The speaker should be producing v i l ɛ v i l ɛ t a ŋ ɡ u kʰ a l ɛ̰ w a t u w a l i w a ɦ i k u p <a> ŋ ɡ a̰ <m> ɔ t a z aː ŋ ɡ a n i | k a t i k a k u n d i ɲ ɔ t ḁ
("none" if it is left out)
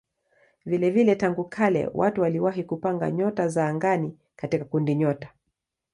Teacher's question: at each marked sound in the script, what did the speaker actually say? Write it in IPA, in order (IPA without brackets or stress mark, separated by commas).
a, ɲ